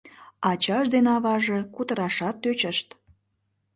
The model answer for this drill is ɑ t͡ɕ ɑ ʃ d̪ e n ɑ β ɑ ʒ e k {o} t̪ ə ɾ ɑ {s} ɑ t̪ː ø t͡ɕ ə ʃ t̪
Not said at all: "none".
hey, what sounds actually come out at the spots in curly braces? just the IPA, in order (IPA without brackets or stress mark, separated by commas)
u, ʃ